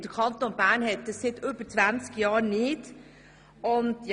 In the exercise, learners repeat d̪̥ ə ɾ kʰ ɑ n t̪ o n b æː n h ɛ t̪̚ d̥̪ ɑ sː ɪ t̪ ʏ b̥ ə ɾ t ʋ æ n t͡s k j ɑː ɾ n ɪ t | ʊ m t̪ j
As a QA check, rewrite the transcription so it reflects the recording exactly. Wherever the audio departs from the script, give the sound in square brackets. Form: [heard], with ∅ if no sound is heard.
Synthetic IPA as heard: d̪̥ ə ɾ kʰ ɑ n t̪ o n b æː n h ɛ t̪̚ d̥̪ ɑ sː ɪ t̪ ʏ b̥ ə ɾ [t͡s] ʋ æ n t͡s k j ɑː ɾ n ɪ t | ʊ [n] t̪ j

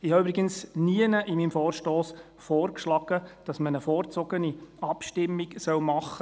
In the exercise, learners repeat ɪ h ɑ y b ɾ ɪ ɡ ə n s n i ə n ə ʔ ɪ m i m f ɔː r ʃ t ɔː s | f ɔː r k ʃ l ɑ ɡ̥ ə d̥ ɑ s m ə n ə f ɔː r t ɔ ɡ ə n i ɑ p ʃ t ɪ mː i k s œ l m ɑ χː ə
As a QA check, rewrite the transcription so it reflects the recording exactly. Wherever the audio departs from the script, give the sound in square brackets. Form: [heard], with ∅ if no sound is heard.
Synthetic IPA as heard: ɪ h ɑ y b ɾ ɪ ɡ ə n s n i ə n ə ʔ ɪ m i m f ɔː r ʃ t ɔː s | f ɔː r k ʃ l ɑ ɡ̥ ə d̥ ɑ s m ə n ə f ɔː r [t͡s] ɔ ɡ ə n i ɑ p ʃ t ɪ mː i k s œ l m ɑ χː ə

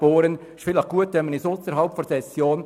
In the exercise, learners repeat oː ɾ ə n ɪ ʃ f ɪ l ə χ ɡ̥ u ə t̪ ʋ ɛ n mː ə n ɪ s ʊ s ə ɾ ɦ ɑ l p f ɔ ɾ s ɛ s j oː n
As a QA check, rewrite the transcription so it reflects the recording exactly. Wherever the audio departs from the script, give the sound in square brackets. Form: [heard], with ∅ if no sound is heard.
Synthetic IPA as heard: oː ɾ ə n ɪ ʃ f ɪ l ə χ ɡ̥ u ə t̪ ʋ ɛ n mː ə n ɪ s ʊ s ə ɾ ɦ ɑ l p f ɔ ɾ s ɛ s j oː n

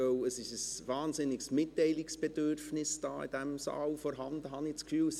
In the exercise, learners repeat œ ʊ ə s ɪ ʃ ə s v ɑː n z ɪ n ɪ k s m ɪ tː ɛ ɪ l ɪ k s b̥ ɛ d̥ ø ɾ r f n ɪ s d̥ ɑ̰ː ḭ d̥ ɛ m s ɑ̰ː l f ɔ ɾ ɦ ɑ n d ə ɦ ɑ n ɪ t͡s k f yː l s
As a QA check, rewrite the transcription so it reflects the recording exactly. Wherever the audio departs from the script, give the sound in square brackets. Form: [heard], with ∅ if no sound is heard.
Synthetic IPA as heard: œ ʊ ə s ɪ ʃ ə s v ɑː n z ɪ n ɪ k s m ɪ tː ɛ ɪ l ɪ k s b̥ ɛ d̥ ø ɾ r f n ɪ s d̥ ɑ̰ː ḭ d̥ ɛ m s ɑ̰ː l f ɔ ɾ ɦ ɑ n d ə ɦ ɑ n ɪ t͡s k f yː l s

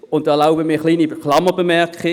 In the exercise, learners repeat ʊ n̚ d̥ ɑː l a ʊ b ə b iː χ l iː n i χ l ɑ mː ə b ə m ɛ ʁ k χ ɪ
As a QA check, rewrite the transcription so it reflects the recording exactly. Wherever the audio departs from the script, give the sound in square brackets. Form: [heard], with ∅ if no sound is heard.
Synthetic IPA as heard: ʊ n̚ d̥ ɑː l a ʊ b ə [m] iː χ l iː n i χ l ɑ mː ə b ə m ɛ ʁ k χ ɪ

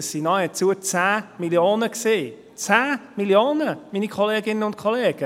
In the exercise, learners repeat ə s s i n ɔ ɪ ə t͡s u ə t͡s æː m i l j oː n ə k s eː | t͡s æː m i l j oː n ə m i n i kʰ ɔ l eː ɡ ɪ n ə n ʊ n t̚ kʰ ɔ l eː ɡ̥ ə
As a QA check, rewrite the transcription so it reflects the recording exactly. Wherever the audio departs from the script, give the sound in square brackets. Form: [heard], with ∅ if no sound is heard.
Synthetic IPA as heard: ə s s i n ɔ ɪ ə t͡s u ə t͡s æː m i l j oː n ə k s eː | t͡s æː m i l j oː n ə m i n i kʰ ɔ l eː ɡ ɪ n ə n ʊ n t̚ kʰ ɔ l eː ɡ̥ ə

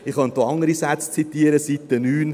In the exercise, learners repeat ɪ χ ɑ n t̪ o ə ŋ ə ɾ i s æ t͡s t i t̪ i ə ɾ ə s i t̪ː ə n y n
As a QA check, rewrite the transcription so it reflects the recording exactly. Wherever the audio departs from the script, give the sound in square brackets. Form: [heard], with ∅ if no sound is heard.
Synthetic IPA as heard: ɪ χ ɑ n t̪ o [ɑ] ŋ ə ɾ i s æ t͡s [t͡s] i t̪ i ə ɾ ə s i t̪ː ə n [yː] n

